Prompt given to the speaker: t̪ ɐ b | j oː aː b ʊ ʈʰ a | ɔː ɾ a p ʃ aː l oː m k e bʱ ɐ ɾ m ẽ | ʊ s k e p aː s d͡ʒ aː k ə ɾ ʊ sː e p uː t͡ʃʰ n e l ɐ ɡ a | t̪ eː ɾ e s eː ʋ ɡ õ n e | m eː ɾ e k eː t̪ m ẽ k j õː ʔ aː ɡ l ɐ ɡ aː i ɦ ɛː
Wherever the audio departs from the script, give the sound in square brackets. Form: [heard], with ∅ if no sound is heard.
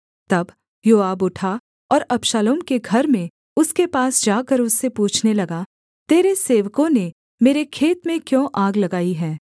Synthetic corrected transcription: t̪ ɐ b | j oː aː b ʊ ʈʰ a | ɔː ɾ [ɐ] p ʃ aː l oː m k e [ɡʱ] ɐ ɾ m ẽ | ʊ s k e p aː s d͡ʒ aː k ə ɾ ʊ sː e p uː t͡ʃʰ n e l ɐ ɡ a | t̪ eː ɾ e s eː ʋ [k] õ n e | m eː ɾ e [kʰ] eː t̪ m ẽ k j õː ʔ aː ɡ l ɐ ɡ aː i ɦ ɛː